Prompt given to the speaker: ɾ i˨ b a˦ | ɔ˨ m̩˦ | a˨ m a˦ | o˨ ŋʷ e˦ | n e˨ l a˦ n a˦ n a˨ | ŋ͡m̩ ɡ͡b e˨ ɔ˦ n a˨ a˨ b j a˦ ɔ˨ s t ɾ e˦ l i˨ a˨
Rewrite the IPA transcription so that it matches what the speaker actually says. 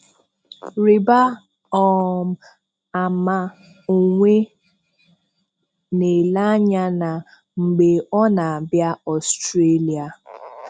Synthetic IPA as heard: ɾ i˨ b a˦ | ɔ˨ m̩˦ | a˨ m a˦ | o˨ ŋʷ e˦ | n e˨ l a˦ ɲ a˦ n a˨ | ŋ͡m̩ ɡ͡b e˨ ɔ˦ n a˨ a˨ b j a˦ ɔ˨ s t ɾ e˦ l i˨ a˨

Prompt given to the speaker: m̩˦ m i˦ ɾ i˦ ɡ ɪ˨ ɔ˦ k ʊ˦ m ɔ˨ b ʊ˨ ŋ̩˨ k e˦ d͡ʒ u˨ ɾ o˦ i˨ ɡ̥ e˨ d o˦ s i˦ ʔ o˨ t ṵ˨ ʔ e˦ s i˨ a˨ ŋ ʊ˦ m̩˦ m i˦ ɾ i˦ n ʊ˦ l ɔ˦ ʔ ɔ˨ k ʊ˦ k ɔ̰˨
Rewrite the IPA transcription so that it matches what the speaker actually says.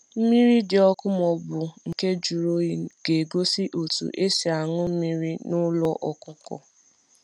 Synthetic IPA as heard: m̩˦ m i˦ ɾ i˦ d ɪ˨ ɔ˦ k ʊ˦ m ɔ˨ b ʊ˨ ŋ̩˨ k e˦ d͡ʒ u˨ ɾ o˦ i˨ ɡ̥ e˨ ɡ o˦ s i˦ ʔ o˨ t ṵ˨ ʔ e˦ s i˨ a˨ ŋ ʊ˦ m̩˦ m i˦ ɾ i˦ n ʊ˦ l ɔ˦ ʔ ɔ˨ k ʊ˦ k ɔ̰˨

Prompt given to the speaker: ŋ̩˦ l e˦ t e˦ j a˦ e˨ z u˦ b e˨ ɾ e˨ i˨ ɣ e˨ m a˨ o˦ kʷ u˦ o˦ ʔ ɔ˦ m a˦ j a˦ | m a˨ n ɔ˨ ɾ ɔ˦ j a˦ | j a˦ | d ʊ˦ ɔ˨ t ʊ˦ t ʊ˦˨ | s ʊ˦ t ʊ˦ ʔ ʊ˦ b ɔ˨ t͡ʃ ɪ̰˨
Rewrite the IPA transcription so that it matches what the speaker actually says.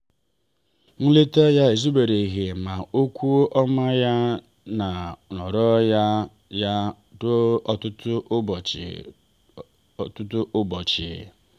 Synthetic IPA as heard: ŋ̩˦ l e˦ t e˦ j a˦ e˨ z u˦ b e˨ ɾ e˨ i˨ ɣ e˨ m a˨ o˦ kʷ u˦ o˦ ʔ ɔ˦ m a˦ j a˦ | n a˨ n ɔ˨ ɾ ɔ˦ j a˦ | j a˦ | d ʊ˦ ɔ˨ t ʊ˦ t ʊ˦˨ | t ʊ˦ t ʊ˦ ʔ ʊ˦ b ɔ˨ t͡ʃ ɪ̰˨

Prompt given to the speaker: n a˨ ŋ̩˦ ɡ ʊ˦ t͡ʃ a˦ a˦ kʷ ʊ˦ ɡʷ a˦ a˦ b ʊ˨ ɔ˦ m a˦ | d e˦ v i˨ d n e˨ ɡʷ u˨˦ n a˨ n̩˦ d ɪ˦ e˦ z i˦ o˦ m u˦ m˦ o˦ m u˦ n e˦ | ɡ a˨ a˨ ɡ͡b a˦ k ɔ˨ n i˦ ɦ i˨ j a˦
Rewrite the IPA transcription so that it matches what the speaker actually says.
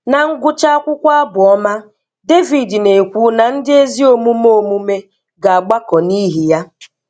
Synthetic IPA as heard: n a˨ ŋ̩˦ ɡ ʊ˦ t͡ʃ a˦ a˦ kʷ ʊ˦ kʷ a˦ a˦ b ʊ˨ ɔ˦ m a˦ | d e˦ v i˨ d n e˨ kʷ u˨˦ n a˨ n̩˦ d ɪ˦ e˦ z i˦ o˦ m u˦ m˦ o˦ m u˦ m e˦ | ɡ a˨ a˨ ɡ͡b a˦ k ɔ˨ n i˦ ɦ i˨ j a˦

